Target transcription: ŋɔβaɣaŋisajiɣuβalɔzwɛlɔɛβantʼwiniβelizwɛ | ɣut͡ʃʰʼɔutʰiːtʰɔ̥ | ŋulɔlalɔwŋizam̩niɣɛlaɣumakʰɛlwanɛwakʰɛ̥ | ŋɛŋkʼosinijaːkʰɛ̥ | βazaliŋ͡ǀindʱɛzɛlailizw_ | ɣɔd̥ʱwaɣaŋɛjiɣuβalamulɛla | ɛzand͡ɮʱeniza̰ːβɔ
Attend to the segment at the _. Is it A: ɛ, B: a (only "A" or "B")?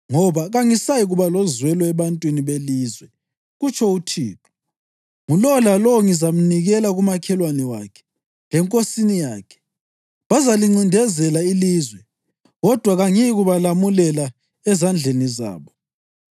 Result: A